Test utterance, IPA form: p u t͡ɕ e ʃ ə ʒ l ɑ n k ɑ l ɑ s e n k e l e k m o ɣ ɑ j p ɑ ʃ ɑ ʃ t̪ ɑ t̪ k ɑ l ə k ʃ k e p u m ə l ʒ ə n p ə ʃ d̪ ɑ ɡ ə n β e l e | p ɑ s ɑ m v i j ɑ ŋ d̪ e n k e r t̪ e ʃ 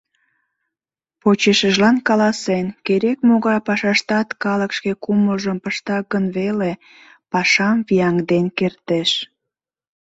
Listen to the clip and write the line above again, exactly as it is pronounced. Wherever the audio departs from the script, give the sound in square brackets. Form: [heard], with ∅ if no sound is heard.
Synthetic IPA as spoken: p [o] t͡ɕ e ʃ ə ʒ l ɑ n k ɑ l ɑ s e n k e [ɾ] e k m o ɣ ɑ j p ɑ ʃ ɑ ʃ t̪ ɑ t̪ k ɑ l ə k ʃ k e [k] u m ə l ʒ ə [m] p ə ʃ [t̪] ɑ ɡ ə n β e l e | p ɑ [ʃ] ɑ m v i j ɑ ŋ d̪ e n k e r t̪ e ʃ

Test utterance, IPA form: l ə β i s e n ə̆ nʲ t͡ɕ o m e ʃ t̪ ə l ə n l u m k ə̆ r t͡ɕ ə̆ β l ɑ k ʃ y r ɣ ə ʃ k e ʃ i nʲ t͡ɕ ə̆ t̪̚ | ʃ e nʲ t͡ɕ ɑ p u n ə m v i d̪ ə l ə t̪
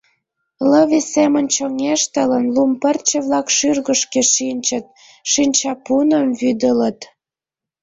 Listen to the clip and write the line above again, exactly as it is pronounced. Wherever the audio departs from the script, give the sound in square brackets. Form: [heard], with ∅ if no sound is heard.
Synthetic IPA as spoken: l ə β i s e [m] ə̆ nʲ t͡ɕ o [ŋ] e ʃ t̪ ə l ə n l u m [p] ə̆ r t͡ɕ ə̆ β l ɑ k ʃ y r ɣ ə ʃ k e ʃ i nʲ t͡ɕ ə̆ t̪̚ | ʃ [i] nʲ t͡ɕ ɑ p u n ə m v [y] d̪ ə l ə t̪

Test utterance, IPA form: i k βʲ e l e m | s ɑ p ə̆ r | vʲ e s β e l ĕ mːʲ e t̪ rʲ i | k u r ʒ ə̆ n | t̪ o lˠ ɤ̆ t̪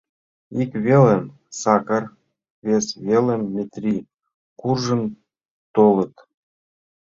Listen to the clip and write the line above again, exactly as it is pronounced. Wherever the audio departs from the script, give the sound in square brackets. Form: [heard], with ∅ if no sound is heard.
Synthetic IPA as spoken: i k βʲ e l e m | s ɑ [k] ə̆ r | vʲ e s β e l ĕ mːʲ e t̪ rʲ i | k u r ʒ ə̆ n | t̪ o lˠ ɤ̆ t̪

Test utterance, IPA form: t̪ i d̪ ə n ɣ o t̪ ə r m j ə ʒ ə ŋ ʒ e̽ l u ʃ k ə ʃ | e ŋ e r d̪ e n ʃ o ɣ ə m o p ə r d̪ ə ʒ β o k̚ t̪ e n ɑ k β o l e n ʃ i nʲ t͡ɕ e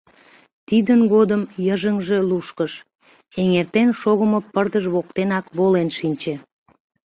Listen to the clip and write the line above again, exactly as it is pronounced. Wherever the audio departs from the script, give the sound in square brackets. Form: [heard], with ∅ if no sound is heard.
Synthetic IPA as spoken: t̪ i d̪ ə n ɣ o [d̪] ə [∅] m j ə ʒ ə ŋ ʒ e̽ l u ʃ k ə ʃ | e ŋ e r [t̪] e n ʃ o ɣ ə m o p ə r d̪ ə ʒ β o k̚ t̪ e n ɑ k β o l e n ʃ i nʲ t͡ɕ e

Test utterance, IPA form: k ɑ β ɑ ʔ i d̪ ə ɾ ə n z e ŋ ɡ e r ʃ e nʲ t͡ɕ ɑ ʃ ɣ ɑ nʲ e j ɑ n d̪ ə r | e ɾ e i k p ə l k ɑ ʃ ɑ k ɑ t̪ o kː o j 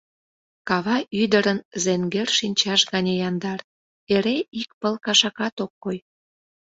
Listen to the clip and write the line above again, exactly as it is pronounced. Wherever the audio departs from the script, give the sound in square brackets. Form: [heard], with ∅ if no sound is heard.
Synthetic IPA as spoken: k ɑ β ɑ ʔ [y] d̪ ə ɾ ə n z e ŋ ɡ e r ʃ [i] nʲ t͡ɕ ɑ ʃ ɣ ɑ nʲ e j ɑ n d̪ [ɑ] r | e ɾ e i k p ə l k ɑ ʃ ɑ k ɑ t̪ o kː o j

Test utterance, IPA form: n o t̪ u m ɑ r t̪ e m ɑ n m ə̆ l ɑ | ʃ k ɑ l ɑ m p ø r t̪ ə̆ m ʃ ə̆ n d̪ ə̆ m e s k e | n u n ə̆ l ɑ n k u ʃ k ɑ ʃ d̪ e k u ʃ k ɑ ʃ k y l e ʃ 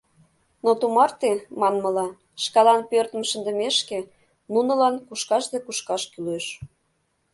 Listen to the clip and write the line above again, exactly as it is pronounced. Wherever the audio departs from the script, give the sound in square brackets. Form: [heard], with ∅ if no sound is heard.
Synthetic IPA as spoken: n o t̪ u m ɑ r t̪ e m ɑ n m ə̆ l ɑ | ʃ k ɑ l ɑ [n] p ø r t̪ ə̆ m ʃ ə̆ n d̪ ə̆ m e [ʃ] k e | n u n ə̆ l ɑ n k u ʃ k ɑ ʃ d̪ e k u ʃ k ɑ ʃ k y l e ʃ

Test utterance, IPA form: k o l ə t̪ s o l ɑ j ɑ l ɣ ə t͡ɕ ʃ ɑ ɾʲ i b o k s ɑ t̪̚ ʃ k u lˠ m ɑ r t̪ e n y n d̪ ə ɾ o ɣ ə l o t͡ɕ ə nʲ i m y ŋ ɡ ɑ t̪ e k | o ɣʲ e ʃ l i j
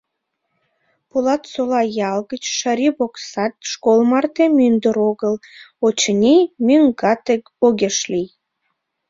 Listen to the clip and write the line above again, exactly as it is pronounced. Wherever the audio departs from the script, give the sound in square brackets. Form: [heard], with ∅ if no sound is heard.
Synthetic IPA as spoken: [p] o l [ɑ] t̪ s o l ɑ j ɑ l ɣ ə t͡ɕ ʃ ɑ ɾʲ i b o k s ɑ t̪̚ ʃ k [o] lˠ m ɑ r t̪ e [m] y n d̪ ə ɾ o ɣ ə l o t͡ɕ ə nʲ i m y ŋ ɡ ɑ t̪ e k | o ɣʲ e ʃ l i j

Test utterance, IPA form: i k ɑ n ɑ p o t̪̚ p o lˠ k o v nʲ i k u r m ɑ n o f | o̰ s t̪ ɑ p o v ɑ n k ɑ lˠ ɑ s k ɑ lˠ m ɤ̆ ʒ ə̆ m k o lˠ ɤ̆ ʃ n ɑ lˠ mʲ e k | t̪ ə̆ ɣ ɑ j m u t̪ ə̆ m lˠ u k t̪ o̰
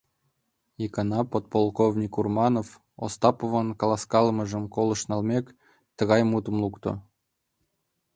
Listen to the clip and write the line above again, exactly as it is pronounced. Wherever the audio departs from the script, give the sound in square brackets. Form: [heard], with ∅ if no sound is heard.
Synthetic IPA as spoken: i k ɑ n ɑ p o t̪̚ p o lˠ k o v nʲ i k u r m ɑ n o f | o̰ s t̪ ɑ p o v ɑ n k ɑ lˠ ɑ s k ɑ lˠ m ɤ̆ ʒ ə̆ m k o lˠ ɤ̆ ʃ n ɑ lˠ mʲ e k | t̪ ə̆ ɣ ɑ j m u t̪ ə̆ m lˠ u k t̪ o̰

